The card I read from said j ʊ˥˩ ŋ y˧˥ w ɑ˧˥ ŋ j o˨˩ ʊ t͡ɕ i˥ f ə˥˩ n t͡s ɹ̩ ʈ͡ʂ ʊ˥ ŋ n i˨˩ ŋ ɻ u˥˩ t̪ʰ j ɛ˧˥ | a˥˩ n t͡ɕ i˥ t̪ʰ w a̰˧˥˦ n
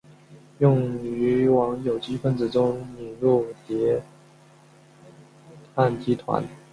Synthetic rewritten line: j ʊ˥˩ ŋ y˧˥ w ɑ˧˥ ŋ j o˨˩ ʊ t͡ɕ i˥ f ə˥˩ n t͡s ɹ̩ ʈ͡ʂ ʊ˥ ŋ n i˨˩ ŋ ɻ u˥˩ t̪ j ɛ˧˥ | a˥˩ n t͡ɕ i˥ t̪ʰ w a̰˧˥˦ n